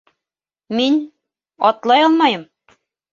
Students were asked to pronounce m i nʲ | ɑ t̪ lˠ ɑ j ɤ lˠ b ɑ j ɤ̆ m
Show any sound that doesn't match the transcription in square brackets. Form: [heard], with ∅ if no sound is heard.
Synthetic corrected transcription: m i nʲ | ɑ t̪ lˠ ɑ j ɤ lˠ [m] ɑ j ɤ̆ m